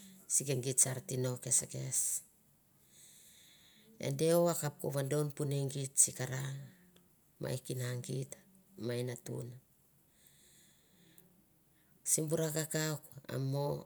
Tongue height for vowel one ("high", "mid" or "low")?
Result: high